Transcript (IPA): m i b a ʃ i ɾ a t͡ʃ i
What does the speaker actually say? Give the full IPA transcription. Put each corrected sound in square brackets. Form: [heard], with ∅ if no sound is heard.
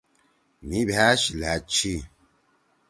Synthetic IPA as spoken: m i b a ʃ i [l] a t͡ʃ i